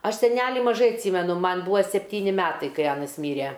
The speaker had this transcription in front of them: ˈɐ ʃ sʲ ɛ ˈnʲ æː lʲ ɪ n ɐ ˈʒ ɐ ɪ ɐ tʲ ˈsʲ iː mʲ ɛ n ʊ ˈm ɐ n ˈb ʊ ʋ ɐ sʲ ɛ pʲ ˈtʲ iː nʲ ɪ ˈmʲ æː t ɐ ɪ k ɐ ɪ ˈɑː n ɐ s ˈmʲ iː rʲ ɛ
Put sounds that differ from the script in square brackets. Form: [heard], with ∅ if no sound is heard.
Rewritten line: ˈɐ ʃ sʲ ɛ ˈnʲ æː lʲ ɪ [m] ɐ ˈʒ ɐ ɪ ɐ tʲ ˈsʲ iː mʲ ɛ n ʊ ˈm ɐ n ˈb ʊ ʋ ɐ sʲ ɛ pʲ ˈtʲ iː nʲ ɪ ˈmʲ æː t ɐ ɪ k ɐ ɪ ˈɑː n ɐ s ˈmʲ iː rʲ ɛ